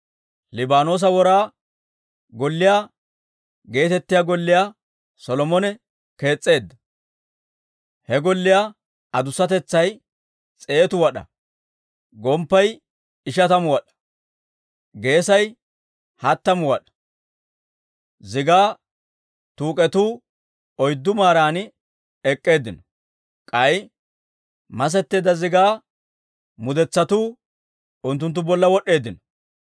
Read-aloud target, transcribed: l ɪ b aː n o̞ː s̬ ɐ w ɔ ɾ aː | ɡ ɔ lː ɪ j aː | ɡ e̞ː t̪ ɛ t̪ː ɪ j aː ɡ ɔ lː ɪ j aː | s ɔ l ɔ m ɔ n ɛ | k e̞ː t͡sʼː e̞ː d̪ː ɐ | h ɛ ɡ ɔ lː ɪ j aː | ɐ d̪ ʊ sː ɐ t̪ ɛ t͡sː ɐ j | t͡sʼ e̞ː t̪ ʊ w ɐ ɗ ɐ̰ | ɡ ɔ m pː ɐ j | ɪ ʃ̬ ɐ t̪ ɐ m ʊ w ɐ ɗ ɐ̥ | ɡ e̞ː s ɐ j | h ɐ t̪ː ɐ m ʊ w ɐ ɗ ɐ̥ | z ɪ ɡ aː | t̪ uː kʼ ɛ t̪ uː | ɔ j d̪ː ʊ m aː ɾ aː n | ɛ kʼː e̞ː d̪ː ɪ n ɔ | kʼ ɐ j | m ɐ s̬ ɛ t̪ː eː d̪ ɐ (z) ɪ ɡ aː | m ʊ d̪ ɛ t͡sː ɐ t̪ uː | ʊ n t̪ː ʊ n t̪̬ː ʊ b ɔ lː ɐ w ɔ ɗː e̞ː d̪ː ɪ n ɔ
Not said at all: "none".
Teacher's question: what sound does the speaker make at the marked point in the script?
z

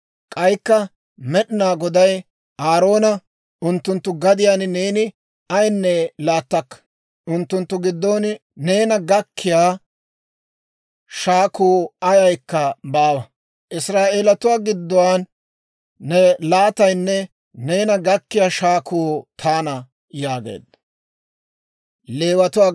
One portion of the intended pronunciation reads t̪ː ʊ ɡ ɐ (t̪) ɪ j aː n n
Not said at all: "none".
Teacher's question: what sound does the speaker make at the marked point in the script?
d̪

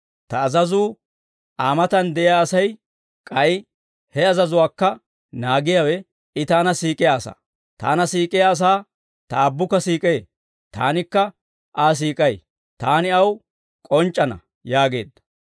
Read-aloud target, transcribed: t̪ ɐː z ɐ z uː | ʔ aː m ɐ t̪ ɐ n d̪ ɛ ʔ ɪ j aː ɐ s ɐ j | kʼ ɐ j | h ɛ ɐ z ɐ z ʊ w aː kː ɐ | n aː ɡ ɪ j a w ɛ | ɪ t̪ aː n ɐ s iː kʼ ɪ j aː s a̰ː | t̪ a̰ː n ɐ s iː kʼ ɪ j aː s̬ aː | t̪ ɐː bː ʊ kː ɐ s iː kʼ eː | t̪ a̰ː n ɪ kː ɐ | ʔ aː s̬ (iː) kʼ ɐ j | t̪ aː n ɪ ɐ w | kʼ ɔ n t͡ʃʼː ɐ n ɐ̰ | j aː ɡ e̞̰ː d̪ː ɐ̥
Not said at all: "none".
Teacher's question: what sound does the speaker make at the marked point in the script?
iː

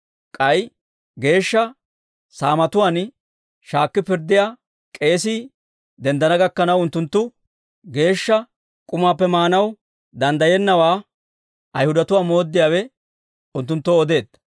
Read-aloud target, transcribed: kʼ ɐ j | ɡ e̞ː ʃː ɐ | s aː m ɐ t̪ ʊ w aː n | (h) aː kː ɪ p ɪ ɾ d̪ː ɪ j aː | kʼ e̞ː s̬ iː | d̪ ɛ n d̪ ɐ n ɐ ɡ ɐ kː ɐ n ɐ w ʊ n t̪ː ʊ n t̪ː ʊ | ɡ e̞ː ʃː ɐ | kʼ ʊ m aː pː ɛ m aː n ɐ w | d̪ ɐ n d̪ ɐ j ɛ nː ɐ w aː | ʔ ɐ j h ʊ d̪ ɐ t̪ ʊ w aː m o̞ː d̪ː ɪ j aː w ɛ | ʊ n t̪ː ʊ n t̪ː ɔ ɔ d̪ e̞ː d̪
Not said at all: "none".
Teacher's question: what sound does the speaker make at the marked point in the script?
ʃ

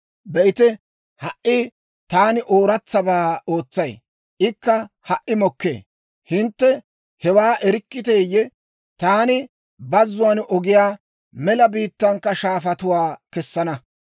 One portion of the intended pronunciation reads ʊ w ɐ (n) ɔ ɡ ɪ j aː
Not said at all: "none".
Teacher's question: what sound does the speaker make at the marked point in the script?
n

